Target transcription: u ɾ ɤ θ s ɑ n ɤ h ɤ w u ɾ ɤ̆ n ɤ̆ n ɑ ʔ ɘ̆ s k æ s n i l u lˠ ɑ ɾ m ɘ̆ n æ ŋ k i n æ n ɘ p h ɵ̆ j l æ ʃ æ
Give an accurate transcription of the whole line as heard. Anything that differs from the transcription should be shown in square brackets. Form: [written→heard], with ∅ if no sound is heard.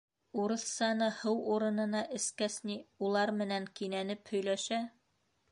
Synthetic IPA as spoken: u ɾ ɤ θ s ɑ n ɤ h ɤ w u ɾ ɤ̆ n ɤ̆ n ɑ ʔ ɘ̆ s k æ s n i [l→∅] u lˠ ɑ ɾ m ɘ̆ n æ ŋ k i n æ n ɘ p h ɵ̆ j l æ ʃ æ